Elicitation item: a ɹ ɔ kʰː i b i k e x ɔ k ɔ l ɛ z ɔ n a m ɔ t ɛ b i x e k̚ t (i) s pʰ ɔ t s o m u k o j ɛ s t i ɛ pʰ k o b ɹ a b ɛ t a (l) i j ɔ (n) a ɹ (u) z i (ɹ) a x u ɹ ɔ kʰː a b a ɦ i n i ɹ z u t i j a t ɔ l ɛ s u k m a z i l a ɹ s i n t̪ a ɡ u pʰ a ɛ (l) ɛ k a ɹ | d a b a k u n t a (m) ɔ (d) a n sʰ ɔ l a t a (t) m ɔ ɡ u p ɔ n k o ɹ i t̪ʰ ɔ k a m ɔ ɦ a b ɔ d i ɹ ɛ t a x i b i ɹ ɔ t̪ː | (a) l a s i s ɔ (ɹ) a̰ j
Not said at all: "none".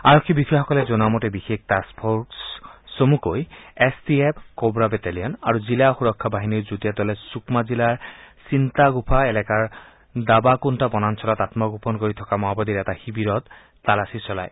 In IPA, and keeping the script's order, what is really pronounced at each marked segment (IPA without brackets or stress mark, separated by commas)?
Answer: a, l, n, u, l, l, b, n, t, a, l